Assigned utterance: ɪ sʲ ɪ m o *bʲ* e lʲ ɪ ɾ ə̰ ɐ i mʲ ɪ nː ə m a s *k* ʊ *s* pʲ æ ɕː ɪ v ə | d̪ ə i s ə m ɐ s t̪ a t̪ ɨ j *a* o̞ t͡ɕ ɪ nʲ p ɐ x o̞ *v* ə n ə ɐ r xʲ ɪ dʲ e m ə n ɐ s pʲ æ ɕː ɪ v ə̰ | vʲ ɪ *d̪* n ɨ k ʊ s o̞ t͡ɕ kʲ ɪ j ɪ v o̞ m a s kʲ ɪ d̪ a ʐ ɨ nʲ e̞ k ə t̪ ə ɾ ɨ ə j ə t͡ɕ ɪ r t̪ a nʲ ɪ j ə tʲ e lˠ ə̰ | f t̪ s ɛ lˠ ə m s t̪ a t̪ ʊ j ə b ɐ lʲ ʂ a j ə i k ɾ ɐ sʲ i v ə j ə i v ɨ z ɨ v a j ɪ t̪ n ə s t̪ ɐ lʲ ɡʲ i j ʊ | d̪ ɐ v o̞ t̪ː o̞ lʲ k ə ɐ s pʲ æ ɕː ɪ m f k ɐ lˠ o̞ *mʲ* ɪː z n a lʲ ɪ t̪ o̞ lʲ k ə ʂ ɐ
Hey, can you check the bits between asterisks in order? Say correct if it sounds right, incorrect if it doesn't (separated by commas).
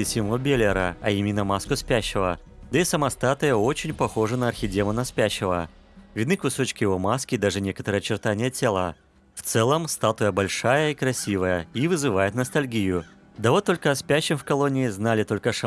correct, correct, correct, incorrect, incorrect, correct, incorrect